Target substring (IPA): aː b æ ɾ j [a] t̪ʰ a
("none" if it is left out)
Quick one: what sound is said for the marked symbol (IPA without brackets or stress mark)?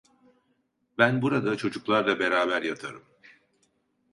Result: a